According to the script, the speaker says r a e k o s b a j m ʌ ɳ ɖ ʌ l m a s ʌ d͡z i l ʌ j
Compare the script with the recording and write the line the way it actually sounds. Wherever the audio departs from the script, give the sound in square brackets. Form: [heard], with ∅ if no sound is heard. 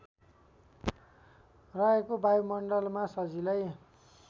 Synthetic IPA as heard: r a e k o [∅] b a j m ʌ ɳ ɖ ʌ l m a s ʌ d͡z i l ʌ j